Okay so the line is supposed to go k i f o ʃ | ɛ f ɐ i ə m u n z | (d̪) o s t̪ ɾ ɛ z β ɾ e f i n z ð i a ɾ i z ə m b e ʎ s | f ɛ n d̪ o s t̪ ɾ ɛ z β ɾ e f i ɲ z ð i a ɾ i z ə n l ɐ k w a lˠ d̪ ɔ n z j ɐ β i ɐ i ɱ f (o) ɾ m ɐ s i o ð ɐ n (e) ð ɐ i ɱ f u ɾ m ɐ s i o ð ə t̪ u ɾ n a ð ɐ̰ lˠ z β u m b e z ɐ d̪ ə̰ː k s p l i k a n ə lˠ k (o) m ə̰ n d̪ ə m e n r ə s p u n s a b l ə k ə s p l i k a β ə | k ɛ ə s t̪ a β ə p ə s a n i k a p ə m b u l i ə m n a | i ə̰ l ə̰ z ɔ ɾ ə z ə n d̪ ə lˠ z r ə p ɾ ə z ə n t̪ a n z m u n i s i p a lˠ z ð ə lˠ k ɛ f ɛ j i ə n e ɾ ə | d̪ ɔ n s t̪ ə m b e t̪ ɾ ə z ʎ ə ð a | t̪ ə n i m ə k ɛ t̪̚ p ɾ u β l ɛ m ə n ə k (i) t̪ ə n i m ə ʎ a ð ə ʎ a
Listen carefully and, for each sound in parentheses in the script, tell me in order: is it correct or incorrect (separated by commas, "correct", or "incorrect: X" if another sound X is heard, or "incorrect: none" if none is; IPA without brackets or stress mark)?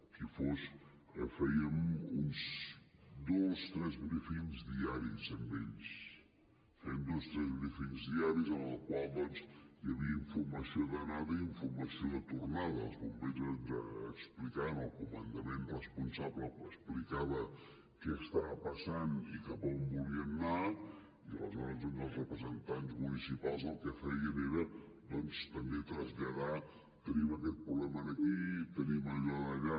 correct, incorrect: u, incorrect: a, incorrect: u, correct